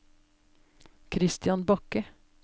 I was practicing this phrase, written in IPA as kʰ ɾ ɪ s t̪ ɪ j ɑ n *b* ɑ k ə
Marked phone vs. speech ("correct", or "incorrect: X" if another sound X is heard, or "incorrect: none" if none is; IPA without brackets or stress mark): correct